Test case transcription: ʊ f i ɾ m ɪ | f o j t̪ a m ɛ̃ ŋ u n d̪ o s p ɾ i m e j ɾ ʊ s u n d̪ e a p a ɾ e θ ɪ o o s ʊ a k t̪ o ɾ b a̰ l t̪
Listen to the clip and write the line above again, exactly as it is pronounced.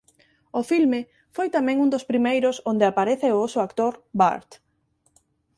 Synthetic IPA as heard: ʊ f i l m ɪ | f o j t̪ a m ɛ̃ ŋ u n d̪ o s p ɾ i m e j ɾ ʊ s o n d̪ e a p a ɾ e θ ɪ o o s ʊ a k t̪ o ɾ b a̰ ɾ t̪